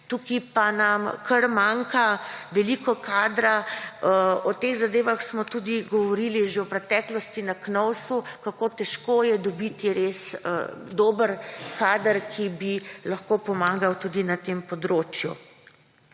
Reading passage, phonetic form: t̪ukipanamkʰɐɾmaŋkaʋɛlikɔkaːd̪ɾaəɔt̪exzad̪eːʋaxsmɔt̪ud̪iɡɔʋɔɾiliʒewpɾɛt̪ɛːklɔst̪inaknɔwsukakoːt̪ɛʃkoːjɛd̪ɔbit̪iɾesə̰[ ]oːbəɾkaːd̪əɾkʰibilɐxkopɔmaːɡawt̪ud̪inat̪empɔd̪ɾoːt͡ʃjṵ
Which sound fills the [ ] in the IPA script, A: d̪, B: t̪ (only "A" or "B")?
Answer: A